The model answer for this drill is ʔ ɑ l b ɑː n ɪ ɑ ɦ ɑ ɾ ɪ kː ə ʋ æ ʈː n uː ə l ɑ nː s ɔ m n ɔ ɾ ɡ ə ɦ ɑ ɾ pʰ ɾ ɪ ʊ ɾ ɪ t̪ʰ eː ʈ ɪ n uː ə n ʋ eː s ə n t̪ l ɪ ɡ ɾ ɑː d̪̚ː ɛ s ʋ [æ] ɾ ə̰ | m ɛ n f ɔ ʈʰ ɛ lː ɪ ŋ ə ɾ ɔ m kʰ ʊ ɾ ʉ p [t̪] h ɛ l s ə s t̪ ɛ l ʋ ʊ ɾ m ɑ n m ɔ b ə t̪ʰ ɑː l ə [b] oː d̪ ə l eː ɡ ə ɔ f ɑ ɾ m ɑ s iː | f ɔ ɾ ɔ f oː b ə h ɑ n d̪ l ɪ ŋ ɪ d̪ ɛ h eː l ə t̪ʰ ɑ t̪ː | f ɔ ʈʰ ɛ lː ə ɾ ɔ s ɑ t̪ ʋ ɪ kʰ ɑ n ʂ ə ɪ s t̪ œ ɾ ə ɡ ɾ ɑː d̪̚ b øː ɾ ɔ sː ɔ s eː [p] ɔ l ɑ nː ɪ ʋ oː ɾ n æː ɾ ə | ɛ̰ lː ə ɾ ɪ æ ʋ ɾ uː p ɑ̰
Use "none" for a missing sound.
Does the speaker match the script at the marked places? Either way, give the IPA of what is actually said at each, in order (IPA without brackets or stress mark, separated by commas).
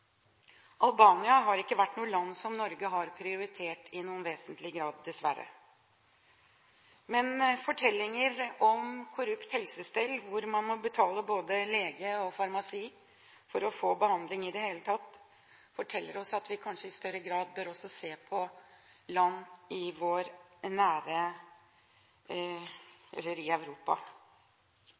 æ, t̪, b, pʰ